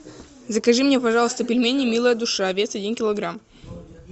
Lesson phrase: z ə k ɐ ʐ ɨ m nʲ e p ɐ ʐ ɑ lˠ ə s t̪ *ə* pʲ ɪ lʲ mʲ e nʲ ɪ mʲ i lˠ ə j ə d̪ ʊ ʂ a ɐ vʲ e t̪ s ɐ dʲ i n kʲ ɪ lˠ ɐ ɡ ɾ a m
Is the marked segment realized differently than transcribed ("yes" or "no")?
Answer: no